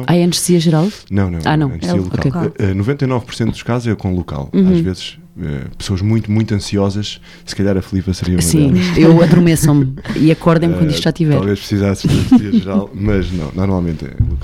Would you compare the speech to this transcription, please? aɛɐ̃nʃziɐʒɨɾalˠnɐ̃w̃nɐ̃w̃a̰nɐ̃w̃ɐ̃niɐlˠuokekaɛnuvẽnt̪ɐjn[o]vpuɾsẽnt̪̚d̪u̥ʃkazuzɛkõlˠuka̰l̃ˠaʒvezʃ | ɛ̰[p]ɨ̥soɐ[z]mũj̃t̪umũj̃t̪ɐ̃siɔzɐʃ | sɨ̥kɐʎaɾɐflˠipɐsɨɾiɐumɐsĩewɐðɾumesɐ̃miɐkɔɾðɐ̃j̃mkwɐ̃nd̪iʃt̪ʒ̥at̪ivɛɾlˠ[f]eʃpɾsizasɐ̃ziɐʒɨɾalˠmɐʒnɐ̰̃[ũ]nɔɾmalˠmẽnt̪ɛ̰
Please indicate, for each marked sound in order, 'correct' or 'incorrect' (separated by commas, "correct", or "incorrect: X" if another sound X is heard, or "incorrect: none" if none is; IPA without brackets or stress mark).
incorrect: ɔ, correct, incorrect: ʒ, incorrect: v, incorrect: w̃